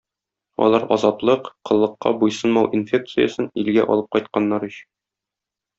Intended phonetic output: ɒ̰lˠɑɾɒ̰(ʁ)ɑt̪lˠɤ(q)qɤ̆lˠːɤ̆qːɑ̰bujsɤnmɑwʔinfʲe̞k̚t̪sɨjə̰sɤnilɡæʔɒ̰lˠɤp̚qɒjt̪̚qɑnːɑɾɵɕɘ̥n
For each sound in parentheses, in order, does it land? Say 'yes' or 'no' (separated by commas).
no, yes